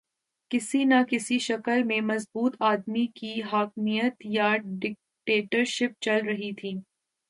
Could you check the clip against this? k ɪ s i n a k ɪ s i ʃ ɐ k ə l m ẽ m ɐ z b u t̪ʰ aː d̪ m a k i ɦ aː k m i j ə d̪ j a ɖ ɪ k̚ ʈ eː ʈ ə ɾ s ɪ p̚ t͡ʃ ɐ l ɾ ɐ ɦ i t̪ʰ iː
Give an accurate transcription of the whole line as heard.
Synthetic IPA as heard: k ɪ s i n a k ɪ s i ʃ ɐ k ə l m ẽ m ɐ z b uː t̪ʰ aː d̪ m i k i ɦ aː k m i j ə t̪ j a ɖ ɪ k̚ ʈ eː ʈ ə ɾ ʃ ɪ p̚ t͡ʃ ɐ l ɾ ɐ ɦ i t̪ʰ iː